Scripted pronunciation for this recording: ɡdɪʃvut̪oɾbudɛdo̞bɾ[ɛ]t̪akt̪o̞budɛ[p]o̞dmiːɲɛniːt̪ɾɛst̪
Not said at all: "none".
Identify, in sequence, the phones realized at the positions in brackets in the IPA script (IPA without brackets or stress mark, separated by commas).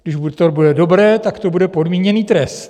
ɛː, p